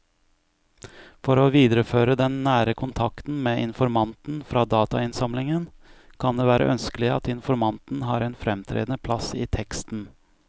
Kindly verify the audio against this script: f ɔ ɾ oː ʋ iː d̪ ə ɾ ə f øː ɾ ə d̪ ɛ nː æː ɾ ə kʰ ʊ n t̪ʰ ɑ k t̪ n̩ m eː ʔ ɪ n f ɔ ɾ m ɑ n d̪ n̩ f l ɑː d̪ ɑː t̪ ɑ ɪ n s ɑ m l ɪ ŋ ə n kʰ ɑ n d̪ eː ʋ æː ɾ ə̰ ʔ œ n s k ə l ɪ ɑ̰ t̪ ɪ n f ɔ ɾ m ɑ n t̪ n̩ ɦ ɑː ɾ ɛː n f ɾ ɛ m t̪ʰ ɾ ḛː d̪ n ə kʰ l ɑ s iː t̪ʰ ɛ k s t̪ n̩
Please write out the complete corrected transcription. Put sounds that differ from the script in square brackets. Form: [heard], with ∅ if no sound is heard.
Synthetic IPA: f ɔ ɾ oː ʋ iː d̪ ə ɾ ə f øː ɾ ə d̪ ɛ nː æː ɾ ə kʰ ʊ n t̪ʰ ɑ k t̪ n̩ m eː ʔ ɪ n f ɔ ɾ m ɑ n [t̪] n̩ f [ɾ] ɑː d̪ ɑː t̪ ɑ ɪ n s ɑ m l ɪ ŋ ə n kʰ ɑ n d̪ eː ʋ æː ɾ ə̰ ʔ œ n s k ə l ɪ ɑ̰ t̪ ɪ n f ɔ ɾ m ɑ n t̪ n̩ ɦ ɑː ɾ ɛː n f ɾ ɛ m t̪ʰ ɾ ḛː d̪ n ə [pʰ] l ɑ s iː t̪ʰ ɛ k s t̪ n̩